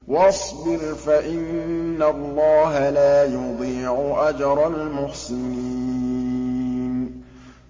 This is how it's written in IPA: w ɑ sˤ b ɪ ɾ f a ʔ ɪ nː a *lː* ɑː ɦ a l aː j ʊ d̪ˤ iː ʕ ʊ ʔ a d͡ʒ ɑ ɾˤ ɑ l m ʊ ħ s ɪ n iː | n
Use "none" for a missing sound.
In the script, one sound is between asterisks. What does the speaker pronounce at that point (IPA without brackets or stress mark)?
lː